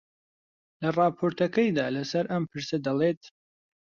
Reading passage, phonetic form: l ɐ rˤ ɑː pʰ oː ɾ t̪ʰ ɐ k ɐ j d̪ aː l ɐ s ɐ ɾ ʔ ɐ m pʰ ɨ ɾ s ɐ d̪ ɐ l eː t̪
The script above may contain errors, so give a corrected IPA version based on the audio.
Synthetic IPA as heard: l ɐ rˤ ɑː pʰ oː ɾ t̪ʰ ɐ k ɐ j d̪ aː l ɐ s ɐ ɾ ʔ ɐ m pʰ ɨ ɾ s ɐ d̪ ɐ l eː t̪